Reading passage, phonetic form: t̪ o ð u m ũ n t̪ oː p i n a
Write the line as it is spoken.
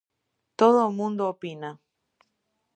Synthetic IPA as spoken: t̪ o ð o m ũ n d̪ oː p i n a